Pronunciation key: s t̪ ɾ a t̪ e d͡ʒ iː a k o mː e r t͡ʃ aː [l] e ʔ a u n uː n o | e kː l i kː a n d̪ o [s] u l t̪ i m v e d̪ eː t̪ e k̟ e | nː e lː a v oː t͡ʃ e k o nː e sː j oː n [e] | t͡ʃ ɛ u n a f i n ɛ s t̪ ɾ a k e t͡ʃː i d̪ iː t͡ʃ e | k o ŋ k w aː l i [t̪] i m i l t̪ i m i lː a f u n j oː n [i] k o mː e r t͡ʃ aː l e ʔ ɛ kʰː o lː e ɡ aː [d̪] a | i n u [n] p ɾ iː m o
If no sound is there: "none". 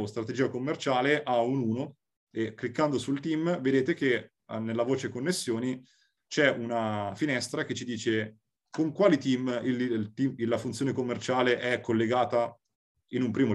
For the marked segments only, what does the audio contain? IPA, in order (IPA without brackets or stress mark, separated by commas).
l, s, i, t̪, e, t̪, m